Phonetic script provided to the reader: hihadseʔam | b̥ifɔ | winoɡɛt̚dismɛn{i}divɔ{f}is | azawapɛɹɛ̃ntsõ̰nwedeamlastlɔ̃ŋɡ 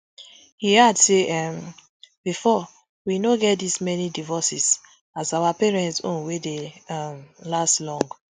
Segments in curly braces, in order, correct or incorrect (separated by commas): correct, incorrect